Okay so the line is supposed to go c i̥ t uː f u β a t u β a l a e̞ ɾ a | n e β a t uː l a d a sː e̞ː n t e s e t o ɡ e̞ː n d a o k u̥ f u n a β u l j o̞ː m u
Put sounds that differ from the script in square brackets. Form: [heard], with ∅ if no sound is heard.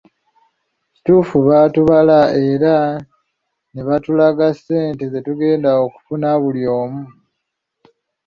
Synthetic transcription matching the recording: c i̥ t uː f u β a t u β a l a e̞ ɾ a | n e β a t [u] l a [ɡ] a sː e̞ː n t e [z] e t [u] ɡ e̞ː n d a o k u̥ f u n a β u l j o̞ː m u

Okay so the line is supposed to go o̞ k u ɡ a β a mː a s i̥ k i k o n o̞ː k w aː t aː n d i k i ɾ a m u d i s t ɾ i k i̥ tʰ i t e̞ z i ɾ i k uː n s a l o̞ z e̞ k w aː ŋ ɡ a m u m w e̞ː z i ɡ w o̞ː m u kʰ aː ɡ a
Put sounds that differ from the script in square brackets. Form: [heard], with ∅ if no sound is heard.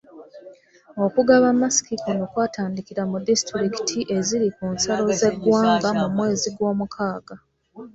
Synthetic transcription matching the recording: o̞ k u ɡ a β a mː a s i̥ k i k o n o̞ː k w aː t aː n d i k i ɾ a m u d i s t ɾ i k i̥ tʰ i [ʔ] e̞ z i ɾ i k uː n s a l o̞ z e̞ [ɡ] w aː ŋ ɡ a m u m w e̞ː z i ɡ w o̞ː m u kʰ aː ɡ a

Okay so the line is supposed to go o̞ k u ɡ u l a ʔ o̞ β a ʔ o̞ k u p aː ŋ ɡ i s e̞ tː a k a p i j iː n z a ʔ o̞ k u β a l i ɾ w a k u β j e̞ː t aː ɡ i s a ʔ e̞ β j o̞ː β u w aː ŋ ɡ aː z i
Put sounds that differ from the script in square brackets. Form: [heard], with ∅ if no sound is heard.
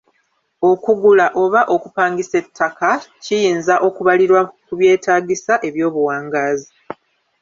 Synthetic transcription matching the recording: o̞ k u ɡ u l a ʔ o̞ β a ʔ o̞ k u p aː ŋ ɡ i s e̞ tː a k a [c] i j iː n z a ʔ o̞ k u β a l i ɾ w a k u β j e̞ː t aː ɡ i s a ʔ e̞ β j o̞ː β u w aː ŋ ɡ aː z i

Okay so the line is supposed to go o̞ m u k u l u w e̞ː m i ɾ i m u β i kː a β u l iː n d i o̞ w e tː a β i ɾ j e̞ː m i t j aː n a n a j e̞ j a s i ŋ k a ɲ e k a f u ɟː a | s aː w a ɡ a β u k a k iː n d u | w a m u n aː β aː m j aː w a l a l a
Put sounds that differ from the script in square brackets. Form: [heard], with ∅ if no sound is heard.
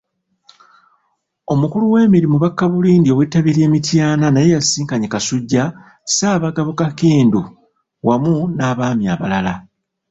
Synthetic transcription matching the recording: o̞ m u k u l u w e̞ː m i ɾ i m u β [a] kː a β u l iː n d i o̞ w e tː a β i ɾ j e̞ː m i t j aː n a n a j e̞ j a s [iː] ŋ k a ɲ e k a [s] u ɟː a | s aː [β] a ɡ a β u k a k iː n d u | w a m u n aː β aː m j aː [β] a l a l a

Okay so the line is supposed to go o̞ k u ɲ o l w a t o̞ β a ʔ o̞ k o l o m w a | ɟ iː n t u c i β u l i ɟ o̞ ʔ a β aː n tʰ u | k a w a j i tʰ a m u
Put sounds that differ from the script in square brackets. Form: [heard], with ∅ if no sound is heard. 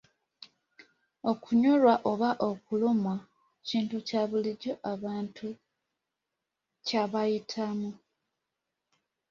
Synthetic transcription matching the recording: o̞ k u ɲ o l w a [ʔ] o̞ β a ʔ o̞ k [u] l o m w a | [c] iː n t u c [a] β u l i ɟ o̞ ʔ a β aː n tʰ u | [c] a [β] a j i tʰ a m u

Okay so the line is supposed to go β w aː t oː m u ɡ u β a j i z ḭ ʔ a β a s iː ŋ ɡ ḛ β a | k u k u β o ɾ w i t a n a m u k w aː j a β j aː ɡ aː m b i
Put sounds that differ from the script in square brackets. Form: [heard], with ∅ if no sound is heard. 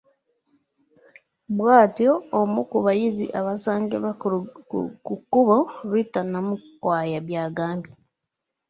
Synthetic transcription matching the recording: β w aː t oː m u [k] u β a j i z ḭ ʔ a β a s [aː] ŋ ɡ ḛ β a | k u k u β o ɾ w i t a n a m u k w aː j a β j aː ɡ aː m b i

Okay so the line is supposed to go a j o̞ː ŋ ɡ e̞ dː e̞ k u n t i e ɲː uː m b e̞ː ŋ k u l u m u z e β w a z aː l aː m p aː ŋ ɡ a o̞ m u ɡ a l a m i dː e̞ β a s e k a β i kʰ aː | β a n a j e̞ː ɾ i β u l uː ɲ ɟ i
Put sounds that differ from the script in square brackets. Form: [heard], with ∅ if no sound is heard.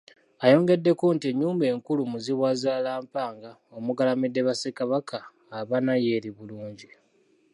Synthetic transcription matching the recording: a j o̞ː ŋ ɡ e̞ dː e̞ k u n t i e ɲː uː m b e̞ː ŋ k u l u m u z [i] β w a z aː l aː m p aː ŋ ɡ a o̞ m u ɡ a l a m i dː e̞ β a s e k a β [a] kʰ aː | β a n a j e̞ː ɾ i β u l uː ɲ ɟ i

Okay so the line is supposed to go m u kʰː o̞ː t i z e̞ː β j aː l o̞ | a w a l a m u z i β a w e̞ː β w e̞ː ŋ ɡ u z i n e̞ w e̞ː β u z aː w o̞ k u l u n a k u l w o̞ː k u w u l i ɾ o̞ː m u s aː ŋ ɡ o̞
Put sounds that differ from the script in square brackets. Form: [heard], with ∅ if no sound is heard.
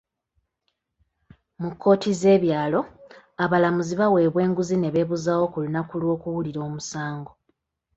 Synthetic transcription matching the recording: m u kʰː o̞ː t i z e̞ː β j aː l o̞ | a [β] a l a m u z i β a w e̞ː β w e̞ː ŋ ɡ u z i n e̞ [β] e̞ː β u z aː w o̞ k u l u n a k u l w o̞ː k u w u l i ɾ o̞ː m u s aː ŋ ɡ o̞

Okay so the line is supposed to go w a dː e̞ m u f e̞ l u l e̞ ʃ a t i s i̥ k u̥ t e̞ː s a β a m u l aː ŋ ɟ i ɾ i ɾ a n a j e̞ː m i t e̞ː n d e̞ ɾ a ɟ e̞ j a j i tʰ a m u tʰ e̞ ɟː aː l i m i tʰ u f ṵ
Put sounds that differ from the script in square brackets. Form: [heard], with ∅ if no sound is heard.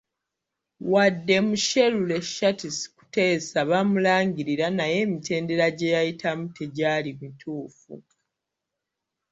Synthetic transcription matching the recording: w a dː e̞ m u [ʃ] e̞ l u l e̞ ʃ a t i s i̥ k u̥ t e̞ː s a β a m u l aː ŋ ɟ i ɾ i ɾ a n a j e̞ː m i t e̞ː n d e̞ ɾ a ɟ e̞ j a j i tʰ a m u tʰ e̞ [ɟ] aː l i m i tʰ [uː] f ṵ

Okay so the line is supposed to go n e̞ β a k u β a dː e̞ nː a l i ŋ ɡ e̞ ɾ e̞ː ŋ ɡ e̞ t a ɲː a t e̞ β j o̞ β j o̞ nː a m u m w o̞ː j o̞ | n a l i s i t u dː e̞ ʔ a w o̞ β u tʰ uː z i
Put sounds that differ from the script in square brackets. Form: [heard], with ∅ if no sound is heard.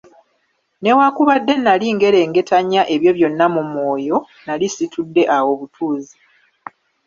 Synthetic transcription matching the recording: n e̞ [w] a k u β a dː e̞ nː a l i ŋ ɡ e̞ ɾ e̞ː ŋ ɡ e̞ t a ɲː a [ʔ] e̞ β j o̞ β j o̞ nː a m u m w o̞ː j o̞ | n a l i s i t u dː e̞ ʔ a w o̞ β u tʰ uː z i

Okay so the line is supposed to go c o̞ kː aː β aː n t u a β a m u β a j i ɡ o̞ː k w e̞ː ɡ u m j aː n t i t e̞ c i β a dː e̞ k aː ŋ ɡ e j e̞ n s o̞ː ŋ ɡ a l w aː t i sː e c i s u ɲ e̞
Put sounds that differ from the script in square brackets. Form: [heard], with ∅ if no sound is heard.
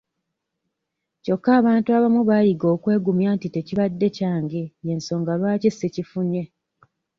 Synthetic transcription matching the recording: c o̞ kː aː β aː n t u a β a m u β a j i ɡ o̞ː k w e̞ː ɡ u m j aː n t i t e̞ c i β a dː e̞ [c] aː ŋ ɡ e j e̞ n s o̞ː ŋ ɡ a l w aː [c] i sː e c i [f] u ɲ e̞

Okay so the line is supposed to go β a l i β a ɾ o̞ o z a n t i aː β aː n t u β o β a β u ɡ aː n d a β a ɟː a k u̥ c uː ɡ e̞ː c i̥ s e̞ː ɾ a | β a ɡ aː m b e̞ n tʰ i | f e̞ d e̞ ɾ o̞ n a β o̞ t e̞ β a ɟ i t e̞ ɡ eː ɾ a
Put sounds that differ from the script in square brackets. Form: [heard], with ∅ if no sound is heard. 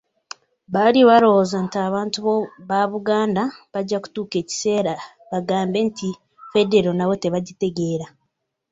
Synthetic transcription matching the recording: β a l i β a ɾ o̞ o z a n t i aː β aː n t u β o β a β u ɡ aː n d a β a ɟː a k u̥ [t] uː [k] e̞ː c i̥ s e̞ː ɾ a | β a ɡ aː m b e̞ n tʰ i | f e̞ d e̞ ɾ o̞ n a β o̞ t e̞ β a ɟ i t e̞ ɡ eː ɾ a

